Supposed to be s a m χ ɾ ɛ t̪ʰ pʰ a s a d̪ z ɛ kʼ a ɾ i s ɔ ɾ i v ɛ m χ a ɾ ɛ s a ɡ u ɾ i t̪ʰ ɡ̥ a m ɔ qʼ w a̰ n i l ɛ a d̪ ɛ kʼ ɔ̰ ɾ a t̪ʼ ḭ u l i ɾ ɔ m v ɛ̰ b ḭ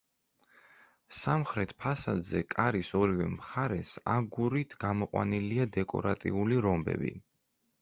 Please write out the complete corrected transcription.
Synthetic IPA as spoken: s a m χ ɾ ɛ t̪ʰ pʰ a s a d̪ z ɛ kʼ a ɾ i s ɔ ɾ i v ɛ m χ a ɾ ɛ s a ɡ u ɾ i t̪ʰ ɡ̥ a m ɔ qʼ w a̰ n i l i a d̪ ɛ kʼ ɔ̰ ɾ a t̪ʼ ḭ u l i ɾ ɔ m b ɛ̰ b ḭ